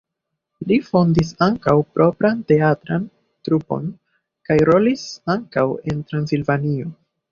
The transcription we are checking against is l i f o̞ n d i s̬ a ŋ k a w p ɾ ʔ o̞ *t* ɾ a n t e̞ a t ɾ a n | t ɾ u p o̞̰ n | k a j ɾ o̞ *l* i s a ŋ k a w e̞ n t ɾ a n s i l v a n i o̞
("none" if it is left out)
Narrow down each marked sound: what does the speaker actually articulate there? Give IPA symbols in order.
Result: p, l

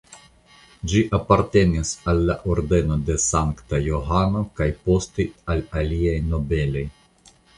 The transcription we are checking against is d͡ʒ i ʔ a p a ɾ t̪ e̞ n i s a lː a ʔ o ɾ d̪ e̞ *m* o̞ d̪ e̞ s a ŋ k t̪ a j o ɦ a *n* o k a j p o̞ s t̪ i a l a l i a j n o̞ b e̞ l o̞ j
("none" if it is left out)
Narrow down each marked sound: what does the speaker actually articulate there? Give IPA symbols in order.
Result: n, n

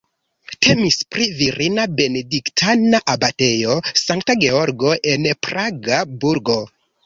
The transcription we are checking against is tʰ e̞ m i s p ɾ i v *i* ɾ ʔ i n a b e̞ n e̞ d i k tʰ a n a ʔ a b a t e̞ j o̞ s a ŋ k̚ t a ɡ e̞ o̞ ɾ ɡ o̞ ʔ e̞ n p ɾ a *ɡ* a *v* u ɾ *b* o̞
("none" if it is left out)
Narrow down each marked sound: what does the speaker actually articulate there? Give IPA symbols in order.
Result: i, ɡ, b, ɡ

